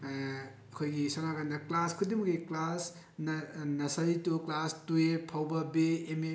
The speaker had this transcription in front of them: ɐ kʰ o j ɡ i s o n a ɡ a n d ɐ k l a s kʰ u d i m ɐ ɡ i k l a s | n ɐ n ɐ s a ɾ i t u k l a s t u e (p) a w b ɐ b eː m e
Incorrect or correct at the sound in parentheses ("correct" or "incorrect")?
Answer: incorrect